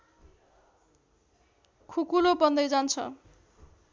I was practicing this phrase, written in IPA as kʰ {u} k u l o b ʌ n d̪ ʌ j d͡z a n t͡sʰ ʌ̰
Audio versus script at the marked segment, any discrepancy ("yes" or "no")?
no